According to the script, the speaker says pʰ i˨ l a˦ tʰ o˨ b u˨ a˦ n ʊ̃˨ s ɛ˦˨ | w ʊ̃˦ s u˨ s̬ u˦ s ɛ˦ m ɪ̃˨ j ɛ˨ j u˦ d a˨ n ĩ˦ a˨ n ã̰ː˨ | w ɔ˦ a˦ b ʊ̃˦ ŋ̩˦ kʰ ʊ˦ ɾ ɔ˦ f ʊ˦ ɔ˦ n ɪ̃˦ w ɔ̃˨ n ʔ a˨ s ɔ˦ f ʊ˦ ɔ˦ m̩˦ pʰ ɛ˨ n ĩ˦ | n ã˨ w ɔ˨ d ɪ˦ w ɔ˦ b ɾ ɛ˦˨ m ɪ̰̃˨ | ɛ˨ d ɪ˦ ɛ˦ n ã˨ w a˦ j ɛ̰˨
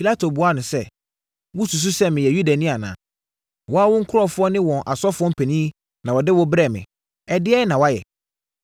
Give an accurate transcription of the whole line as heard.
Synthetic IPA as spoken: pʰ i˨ l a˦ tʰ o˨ b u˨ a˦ n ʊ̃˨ s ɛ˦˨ | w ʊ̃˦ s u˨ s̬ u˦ s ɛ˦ m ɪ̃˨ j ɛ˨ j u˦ d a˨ n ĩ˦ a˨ n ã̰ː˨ | w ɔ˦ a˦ w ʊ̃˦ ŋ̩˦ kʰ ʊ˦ ɾ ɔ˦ f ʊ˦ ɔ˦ n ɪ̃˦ w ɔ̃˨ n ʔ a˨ s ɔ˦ f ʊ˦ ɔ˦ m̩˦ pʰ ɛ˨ n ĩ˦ | n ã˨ w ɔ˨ d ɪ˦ w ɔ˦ b ɾ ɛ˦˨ m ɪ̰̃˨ | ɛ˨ d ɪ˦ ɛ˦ n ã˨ w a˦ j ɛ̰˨